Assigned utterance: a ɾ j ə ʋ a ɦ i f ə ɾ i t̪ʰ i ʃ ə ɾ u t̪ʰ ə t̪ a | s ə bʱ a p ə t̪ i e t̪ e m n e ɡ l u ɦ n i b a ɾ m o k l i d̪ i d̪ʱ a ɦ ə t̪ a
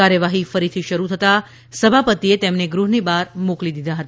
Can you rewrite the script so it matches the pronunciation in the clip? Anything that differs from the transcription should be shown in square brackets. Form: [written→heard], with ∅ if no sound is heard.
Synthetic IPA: a ɾ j ə ʋ a ɦ i f ə ɾ i t̪ʰ i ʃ ə ɾ u t̪ʰ ə t̪ a | s ə bʱ a p ə t̪ i e t̪ e m n e ɡ [l→ɾ] u ɦ n i b a ɾ m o k l i d̪ i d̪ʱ a ɦ ə t̪ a